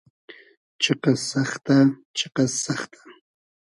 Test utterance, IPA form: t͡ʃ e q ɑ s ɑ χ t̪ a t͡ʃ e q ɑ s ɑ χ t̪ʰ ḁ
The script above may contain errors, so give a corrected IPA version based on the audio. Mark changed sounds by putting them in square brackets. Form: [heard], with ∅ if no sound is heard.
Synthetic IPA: t͡ʃ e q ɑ s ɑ χ t̪ a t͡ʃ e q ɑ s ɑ χ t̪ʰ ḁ